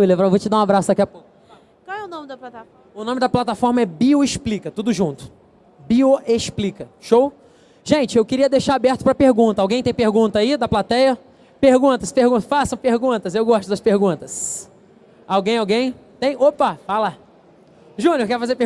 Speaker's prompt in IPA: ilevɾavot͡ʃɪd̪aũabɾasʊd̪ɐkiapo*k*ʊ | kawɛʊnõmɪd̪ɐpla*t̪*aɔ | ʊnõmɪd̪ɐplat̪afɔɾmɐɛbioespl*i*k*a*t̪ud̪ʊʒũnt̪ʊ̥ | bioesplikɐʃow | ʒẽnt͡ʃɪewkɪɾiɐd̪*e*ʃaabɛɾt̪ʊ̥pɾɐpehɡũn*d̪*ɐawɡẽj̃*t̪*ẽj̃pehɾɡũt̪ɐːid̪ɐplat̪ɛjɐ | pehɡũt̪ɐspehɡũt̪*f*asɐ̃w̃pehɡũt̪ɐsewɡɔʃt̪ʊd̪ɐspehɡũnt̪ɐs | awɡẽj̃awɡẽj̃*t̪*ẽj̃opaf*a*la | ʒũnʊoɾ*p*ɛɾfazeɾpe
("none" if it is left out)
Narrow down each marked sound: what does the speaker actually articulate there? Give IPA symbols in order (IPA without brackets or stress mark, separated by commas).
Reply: k, t̪, i, ɐ, e, t̪, t̪, f, t̪, a, k